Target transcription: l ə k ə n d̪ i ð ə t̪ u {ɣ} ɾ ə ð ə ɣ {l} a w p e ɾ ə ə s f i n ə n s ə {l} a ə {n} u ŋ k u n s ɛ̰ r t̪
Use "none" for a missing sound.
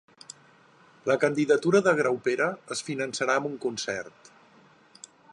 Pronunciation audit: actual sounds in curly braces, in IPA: none, ɾ, ɾ, m

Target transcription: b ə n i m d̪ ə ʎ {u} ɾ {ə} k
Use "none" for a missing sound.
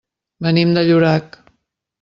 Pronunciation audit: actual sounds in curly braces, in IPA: u, a

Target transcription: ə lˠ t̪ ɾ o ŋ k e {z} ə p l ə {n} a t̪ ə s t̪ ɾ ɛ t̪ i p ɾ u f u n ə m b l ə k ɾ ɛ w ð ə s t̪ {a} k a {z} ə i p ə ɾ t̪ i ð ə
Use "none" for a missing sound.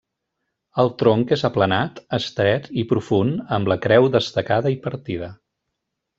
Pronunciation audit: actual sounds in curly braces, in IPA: z, n, ə, ð

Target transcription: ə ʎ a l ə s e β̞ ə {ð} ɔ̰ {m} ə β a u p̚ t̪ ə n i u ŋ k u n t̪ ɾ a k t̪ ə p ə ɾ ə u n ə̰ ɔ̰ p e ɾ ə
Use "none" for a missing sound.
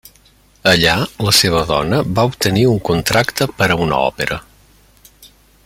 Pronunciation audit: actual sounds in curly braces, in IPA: ð, n

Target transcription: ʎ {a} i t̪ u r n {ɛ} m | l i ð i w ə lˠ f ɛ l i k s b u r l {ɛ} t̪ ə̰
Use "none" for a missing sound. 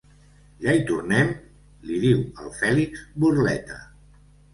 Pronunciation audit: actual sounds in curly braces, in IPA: a, ɛ, ɛ

